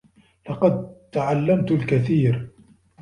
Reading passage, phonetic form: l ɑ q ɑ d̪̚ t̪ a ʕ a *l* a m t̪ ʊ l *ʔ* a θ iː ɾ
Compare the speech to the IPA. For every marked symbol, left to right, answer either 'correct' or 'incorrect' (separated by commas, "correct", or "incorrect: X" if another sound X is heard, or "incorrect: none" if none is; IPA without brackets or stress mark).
incorrect: lː, incorrect: k